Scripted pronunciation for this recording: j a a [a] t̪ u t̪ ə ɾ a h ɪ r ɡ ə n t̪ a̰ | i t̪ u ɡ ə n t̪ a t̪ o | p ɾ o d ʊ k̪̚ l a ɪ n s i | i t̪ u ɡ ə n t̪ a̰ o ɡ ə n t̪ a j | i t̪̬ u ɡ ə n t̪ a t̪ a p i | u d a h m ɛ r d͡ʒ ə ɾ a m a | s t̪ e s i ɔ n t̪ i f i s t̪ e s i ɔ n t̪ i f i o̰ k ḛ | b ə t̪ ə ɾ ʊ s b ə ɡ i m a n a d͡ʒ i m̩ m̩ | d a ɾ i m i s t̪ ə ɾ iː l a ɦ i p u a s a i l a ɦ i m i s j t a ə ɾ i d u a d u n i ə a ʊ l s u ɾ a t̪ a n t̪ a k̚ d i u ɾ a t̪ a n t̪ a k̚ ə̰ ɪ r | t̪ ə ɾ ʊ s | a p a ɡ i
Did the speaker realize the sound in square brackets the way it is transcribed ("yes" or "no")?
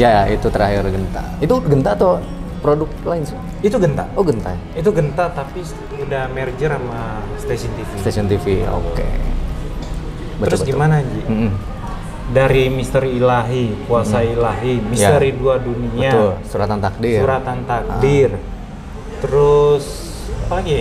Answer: no